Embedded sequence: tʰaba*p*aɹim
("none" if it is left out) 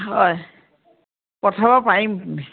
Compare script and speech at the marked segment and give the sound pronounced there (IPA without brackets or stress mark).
p